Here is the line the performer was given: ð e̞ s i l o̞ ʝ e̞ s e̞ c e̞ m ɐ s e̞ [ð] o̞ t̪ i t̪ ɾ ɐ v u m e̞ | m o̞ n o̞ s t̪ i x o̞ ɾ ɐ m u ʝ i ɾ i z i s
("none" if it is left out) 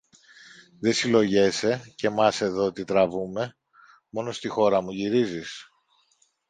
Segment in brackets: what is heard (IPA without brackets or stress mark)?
ð